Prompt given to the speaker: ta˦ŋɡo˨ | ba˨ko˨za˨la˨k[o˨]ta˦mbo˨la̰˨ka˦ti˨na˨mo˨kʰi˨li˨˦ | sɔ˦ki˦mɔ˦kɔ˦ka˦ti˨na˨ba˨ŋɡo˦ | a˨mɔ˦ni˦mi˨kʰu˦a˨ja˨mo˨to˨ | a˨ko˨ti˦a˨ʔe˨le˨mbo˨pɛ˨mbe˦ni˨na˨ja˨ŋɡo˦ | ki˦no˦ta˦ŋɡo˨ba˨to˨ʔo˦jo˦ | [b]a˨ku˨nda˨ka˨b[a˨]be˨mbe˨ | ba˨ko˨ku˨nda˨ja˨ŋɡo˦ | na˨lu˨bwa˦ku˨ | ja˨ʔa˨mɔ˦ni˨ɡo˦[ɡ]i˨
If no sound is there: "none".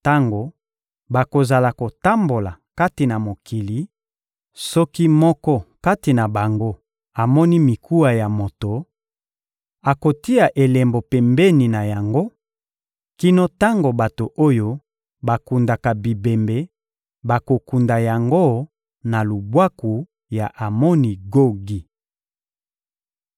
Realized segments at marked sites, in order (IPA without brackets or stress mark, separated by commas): o˨, b, i˨, ɡ